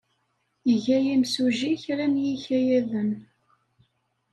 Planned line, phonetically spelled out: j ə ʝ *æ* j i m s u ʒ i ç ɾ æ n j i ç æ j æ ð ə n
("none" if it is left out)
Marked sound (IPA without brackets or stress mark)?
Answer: æ